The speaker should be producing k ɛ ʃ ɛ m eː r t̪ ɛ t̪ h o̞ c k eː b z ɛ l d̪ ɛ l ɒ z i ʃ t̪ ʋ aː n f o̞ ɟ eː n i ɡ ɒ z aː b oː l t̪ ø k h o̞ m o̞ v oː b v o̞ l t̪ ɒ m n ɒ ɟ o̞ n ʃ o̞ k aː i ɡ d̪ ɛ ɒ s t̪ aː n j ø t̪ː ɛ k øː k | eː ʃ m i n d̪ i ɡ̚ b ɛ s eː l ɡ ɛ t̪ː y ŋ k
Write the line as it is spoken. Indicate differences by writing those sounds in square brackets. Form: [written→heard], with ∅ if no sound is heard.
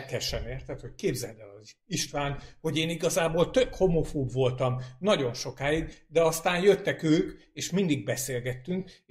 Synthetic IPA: k ɛ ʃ ɛ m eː r t̪ ɛ t̪ h o̞ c k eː b z ɛ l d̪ ɛ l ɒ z i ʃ t̪ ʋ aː n [f→h] o̞ ɟ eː n i ɡ ɒ z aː b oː l t̪ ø k h o̞ m o̞ [v→f] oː b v o̞ l t̪ ɒ m n ɒ ɟ o̞ n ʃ o̞ k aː i ɡ d̪ ɛ ɒ s t̪ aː n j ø t̪ː ɛ k øː k | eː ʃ m i n d̪ i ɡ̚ b ɛ s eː l ɡ ɛ t̪ː y ŋ k